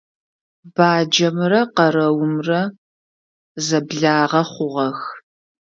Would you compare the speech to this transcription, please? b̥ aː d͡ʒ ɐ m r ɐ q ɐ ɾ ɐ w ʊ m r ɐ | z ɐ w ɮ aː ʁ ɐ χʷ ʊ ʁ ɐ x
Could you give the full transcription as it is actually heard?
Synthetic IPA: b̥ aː d͡ʒ ɐ m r ɐ q ɐ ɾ ɐ w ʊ m r ɐ | z ɐ b ɮ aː ʁ ɐ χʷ ʊ ʁ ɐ x

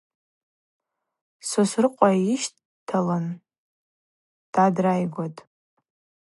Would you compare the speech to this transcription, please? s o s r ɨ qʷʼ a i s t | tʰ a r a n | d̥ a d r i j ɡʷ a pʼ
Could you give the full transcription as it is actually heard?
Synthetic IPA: s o s r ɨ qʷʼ a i ʃ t | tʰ a l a n | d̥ a d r a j ɡʷ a tʼ

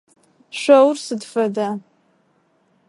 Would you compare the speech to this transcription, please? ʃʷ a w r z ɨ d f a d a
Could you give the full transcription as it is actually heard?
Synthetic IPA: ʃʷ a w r s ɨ d f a d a

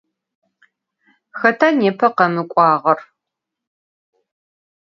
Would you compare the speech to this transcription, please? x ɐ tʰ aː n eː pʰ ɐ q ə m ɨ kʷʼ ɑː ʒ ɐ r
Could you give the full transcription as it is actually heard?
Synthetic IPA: x ɐ tʰ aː n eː pʰ ɐ q ɐ m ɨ kʷʼ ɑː ʁ ɐ r

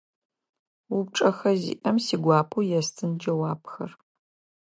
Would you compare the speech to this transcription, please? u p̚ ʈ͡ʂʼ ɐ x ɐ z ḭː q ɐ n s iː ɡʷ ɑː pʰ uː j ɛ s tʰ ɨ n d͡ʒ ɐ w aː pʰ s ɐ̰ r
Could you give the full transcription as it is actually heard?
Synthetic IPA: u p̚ ʈ͡ʂʼ ɐ x ɐ z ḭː ʔ ɐ m s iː ɡʷ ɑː pʰ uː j ɛ s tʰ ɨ n d͡ʒ ɐ w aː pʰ x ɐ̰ r

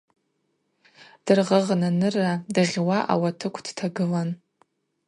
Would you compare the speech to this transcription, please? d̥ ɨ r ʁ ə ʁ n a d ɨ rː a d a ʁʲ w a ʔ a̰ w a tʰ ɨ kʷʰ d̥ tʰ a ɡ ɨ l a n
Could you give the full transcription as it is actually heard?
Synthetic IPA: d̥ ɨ r ʁ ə ʁ n a n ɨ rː a d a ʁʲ w a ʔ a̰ w a tʰ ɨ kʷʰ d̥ tʰ a ɡ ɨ l a n

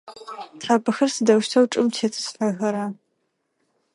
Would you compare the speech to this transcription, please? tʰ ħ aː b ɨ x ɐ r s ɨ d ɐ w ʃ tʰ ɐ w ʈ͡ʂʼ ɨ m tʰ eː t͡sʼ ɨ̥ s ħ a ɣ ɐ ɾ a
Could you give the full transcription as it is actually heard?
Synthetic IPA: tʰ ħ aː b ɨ x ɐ r s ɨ d ɐ w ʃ tʰ ɐ w ʈ͡ʂʼ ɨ m tʰ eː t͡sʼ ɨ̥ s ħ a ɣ ɐ ɾ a

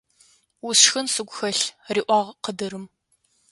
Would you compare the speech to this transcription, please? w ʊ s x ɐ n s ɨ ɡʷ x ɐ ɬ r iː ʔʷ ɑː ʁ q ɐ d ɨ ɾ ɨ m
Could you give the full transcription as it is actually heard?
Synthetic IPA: w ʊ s x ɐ n s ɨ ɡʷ x ɐ ɬ r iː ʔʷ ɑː ʁ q ə d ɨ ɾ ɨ m

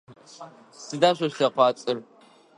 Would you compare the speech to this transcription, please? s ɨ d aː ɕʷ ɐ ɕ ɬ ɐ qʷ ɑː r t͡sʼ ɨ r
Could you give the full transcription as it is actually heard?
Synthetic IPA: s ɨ d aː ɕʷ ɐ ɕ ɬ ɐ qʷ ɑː t͡sʼ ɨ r

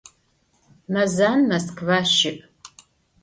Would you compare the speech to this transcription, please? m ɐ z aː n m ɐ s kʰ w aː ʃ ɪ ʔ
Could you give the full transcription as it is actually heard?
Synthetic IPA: m ɐ z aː n m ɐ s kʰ v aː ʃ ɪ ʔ

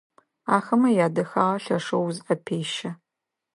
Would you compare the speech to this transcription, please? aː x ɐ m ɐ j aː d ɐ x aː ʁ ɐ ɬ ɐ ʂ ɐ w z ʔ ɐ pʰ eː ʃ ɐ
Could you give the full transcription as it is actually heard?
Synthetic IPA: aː x ɐ m ɐ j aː d ɐ x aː ʁ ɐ ɬ ɐ ʂ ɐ w z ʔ ɐ pʰ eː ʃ ɐ

